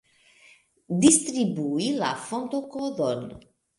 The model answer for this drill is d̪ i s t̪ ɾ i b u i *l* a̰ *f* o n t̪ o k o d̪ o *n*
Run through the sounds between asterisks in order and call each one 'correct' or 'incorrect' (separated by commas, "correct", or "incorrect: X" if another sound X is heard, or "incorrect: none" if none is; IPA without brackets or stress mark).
correct, correct, correct